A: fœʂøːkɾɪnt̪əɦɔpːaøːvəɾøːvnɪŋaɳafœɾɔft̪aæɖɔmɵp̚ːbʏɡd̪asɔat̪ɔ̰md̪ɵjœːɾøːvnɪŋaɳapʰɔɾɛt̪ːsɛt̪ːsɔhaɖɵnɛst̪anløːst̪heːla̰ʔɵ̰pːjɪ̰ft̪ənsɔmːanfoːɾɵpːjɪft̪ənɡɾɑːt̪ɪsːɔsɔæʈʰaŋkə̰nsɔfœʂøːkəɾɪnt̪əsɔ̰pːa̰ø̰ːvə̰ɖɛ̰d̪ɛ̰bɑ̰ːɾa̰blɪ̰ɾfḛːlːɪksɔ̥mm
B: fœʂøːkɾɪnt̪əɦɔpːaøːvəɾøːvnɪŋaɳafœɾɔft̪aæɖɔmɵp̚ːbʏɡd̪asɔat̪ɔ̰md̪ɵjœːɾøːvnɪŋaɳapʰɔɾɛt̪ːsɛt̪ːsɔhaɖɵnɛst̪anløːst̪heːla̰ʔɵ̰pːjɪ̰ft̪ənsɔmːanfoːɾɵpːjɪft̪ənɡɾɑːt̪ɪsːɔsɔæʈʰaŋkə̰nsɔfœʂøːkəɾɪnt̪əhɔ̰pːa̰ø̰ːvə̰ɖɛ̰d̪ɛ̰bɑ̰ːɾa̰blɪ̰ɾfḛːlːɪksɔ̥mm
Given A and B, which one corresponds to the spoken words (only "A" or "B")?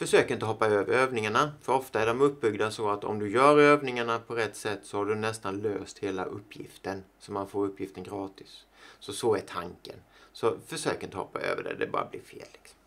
B